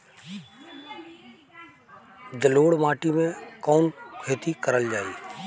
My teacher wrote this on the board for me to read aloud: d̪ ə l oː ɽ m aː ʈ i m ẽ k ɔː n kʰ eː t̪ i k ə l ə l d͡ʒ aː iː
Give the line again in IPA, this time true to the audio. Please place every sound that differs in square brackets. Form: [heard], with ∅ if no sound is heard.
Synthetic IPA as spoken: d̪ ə l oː ɽ m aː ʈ i m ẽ k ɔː n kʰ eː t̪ i k ə [ɾ] ə l d͡ʒ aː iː